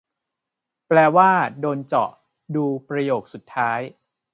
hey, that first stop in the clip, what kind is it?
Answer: plain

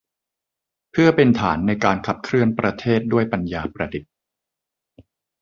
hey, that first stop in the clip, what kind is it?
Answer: aspirated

